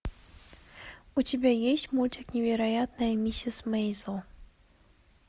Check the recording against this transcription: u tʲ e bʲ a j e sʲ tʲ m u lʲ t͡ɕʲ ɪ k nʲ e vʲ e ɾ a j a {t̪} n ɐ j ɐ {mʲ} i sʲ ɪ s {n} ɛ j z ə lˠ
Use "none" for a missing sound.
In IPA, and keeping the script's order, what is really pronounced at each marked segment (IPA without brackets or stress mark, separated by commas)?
t̪, mʲ, m